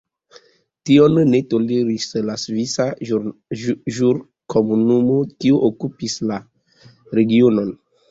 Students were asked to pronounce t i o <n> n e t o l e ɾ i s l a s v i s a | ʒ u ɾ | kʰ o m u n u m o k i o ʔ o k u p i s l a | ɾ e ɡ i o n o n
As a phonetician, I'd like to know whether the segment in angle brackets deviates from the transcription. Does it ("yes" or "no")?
no